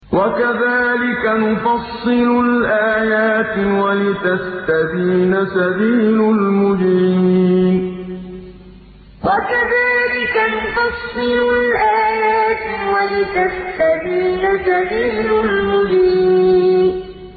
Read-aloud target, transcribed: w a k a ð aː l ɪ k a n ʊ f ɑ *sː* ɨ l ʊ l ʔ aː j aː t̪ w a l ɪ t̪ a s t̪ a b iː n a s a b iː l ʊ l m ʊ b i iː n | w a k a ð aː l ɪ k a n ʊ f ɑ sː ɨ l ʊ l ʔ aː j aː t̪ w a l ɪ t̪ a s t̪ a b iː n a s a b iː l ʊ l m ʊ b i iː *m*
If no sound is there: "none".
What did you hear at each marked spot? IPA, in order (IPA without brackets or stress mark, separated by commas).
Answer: sː, n